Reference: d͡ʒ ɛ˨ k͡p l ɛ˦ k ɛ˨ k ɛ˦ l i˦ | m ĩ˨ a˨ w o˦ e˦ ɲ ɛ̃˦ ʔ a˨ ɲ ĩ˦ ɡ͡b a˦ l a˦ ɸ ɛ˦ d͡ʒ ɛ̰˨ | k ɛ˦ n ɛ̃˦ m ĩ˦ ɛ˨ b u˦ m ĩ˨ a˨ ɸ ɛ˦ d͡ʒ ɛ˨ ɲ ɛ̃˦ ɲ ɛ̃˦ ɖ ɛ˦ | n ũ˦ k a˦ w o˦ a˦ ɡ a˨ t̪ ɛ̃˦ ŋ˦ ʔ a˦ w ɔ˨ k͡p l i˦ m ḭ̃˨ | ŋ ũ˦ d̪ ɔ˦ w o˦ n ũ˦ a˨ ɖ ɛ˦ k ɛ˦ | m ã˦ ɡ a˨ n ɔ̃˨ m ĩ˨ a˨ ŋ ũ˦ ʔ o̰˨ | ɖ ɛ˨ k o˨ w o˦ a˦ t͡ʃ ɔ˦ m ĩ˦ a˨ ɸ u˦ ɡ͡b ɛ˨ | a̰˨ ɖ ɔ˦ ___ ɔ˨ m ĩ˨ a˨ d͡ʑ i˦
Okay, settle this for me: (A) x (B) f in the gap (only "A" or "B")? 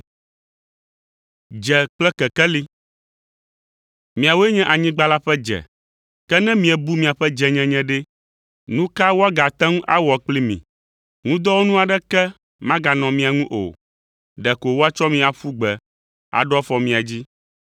B